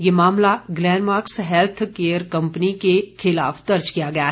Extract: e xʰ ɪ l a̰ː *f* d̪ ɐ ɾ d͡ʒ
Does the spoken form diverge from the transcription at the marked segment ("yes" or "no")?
no